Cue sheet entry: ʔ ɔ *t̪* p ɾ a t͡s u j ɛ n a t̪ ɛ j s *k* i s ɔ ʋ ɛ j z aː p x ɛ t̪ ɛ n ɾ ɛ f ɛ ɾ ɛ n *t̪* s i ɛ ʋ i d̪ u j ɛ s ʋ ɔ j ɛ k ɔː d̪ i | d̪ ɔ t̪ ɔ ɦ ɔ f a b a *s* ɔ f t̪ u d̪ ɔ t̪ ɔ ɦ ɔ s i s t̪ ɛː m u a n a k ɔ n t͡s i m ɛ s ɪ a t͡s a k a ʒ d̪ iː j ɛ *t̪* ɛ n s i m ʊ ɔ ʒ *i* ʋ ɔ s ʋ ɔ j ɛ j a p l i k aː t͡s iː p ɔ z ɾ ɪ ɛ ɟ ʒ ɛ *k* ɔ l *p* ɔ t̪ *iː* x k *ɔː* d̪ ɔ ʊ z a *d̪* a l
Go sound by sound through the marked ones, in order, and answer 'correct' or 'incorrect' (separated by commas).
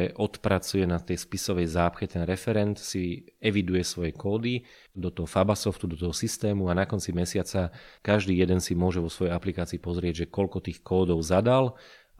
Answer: correct, incorrect, correct, correct, incorrect, incorrect, correct, incorrect, correct, correct, correct